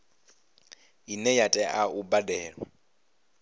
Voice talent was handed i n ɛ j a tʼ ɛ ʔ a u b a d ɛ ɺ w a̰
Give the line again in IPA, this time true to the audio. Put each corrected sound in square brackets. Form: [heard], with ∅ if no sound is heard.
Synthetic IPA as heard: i n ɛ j a tʼ ɛ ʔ a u b a d [ɛː] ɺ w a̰